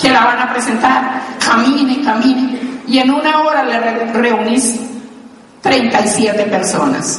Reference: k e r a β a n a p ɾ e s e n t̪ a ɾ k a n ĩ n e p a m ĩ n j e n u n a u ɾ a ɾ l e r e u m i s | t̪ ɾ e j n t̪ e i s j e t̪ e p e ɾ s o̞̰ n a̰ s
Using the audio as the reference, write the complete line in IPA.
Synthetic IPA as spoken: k e l a β a n a p ɾ e s e n t̪ a ɾ k a m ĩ n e k a m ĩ n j e n u n a o ɾ a l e r e u n i s | t̪ ɾ e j n t̪ a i s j e t̪ e p e ɾ s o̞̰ n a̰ s